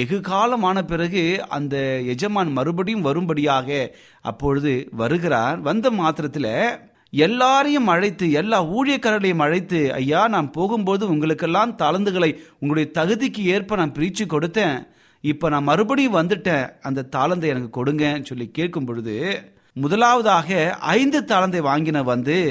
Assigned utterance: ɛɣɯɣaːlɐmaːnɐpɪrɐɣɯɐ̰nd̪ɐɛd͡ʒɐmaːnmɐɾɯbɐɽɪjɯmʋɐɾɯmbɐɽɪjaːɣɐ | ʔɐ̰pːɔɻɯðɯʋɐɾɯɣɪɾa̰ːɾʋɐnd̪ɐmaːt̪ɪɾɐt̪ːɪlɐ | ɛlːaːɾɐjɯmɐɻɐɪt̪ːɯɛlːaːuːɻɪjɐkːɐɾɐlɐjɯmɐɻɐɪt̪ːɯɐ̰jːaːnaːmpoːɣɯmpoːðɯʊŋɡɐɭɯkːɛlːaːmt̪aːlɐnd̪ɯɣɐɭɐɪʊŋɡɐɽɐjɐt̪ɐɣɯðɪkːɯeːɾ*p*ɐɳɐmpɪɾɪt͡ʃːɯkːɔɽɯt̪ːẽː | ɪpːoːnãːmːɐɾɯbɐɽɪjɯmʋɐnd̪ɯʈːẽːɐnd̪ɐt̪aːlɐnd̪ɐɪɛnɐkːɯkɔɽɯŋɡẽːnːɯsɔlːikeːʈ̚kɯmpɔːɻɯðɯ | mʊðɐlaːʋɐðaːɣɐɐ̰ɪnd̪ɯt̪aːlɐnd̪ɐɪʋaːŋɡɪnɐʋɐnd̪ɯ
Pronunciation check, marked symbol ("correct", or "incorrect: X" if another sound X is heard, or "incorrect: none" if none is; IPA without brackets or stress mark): correct